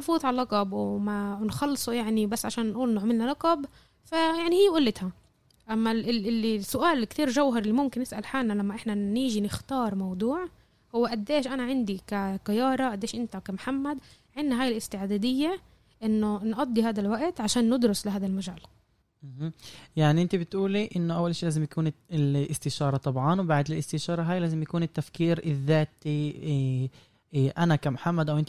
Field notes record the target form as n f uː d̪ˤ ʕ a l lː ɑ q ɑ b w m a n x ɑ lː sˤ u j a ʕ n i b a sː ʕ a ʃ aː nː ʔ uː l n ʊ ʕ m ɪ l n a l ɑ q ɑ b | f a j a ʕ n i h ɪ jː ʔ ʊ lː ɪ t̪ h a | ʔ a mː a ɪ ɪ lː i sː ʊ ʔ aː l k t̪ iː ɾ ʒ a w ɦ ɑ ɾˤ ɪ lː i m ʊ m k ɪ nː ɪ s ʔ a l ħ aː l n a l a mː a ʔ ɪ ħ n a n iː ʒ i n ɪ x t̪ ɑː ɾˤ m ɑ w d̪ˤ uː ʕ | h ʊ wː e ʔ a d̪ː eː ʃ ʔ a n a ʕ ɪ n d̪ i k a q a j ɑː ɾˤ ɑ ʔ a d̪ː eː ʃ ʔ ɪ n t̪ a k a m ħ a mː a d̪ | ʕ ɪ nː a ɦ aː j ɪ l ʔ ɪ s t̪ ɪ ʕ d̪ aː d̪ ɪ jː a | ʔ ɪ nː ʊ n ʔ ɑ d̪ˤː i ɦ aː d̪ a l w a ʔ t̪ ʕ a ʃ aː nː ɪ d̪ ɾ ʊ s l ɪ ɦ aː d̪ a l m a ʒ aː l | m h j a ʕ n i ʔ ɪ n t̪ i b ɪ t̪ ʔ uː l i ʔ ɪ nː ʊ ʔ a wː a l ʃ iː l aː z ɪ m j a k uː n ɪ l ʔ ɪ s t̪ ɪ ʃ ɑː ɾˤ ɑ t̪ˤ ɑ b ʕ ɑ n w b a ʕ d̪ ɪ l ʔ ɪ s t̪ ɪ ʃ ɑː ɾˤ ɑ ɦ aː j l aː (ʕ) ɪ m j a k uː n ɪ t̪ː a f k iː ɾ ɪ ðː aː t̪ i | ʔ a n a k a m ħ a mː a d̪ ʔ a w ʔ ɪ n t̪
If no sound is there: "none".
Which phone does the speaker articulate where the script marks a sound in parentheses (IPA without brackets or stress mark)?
z